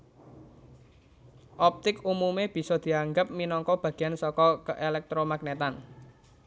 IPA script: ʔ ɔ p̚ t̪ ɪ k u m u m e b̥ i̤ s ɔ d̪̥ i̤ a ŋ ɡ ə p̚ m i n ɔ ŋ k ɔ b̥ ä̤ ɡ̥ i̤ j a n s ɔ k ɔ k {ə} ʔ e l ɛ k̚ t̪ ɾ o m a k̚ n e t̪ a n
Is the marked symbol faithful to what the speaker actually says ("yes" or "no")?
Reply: yes